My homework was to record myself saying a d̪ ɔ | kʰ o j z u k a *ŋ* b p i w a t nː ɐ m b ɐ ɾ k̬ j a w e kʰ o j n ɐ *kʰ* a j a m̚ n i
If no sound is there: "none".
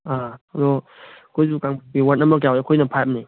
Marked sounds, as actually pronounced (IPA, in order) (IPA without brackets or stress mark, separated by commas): ŋ, pʰ